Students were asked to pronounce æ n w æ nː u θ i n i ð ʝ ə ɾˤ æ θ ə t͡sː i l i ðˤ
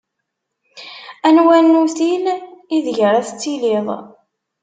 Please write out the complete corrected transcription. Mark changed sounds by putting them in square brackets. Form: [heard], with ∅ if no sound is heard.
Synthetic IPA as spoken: æ n w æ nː u θ i n i ð ʝ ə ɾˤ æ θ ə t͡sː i l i ðˤ